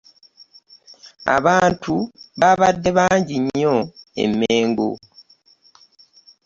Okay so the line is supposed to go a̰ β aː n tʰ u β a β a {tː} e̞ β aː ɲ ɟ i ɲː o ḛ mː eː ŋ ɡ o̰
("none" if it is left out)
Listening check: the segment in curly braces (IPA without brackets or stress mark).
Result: dː